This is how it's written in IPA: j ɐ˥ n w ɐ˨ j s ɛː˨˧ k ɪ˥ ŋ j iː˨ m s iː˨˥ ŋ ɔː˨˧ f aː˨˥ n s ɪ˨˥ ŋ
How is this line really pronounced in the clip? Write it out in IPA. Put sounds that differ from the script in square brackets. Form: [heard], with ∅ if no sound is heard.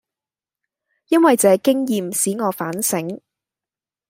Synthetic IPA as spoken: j ɐ˥ n w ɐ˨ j [t͡s] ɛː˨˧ k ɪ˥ ŋ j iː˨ m s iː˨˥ ŋ ɔː˨˧ f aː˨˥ n s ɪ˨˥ ŋ